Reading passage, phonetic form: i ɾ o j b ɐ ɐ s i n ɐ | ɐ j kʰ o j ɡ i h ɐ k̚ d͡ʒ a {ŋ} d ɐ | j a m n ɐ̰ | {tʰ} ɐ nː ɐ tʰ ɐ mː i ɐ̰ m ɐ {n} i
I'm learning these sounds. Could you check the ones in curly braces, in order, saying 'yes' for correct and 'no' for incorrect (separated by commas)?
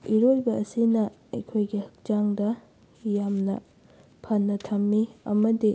yes, no, no